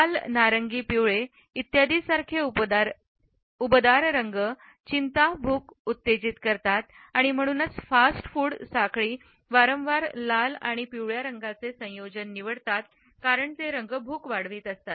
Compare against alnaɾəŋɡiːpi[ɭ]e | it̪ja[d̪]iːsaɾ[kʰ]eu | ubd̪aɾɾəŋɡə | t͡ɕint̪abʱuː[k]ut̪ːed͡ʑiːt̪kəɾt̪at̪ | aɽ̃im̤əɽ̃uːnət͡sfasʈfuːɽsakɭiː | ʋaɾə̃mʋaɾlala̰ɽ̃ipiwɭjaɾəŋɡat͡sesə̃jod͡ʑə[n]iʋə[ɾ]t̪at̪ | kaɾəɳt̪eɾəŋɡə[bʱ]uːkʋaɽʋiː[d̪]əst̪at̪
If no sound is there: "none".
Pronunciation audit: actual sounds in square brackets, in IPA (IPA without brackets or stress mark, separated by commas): ɭ, d̪, kʰ, k, nː, ɽ, bʱ, t̪